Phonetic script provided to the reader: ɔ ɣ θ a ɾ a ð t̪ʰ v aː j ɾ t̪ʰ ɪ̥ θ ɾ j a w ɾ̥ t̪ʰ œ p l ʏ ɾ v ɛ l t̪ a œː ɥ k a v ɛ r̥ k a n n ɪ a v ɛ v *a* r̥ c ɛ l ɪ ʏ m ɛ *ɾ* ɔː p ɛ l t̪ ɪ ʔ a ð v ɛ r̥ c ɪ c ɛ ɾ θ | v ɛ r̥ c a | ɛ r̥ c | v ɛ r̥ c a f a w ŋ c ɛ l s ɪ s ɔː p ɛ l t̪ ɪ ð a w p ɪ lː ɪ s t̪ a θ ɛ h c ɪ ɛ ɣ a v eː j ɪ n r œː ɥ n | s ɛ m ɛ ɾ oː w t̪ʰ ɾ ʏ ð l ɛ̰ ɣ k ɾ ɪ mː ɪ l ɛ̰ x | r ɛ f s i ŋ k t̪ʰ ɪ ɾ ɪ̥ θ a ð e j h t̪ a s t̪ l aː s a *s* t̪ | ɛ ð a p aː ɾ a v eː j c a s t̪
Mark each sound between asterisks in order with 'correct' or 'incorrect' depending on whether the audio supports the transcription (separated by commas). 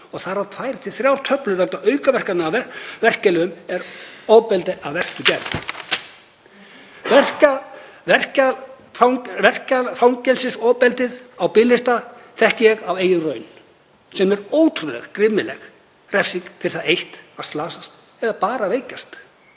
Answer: incorrect, correct, correct